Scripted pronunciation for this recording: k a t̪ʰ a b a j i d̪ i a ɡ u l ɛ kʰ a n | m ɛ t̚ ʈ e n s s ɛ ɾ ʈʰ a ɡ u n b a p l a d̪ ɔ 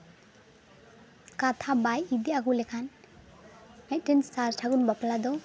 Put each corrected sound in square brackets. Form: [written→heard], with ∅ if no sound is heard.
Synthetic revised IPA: k a t̪ʰ a b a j i d̪ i a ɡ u l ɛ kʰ a n | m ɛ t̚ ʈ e n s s [ɛ→a] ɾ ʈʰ a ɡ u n b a p l a d̪ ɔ